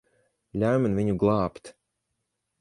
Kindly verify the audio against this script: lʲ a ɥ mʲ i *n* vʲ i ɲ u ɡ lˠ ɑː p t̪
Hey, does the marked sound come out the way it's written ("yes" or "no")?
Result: yes